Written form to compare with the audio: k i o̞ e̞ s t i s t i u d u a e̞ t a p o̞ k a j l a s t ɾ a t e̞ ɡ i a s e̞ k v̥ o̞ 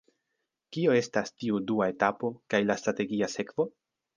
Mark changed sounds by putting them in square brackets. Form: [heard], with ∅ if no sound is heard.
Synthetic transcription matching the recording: k i o̞ e̞ s t [a] s t i u d u a e̞ t a p o̞ k a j l a s t ɾ a t e̞ ɡ i a s e̞ k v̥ o̞